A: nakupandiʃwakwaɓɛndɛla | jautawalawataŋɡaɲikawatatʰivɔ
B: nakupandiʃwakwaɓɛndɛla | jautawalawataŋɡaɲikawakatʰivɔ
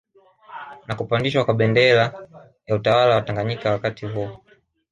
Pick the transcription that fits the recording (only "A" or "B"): B